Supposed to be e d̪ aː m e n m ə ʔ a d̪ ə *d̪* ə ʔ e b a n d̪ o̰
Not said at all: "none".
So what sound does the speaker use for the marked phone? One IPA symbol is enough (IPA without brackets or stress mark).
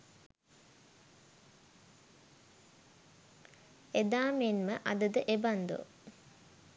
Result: d̪